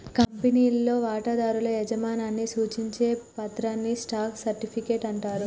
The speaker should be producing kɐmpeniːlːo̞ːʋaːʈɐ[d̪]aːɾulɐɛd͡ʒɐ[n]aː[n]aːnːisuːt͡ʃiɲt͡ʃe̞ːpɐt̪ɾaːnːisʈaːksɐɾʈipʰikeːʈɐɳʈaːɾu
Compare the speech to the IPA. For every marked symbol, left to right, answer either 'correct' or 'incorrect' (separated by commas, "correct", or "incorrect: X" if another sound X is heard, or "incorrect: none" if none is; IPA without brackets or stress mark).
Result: correct, incorrect: m, correct